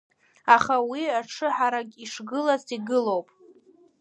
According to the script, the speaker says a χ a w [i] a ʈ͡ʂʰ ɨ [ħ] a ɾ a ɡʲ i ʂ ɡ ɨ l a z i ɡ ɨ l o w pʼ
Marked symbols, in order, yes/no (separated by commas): yes, yes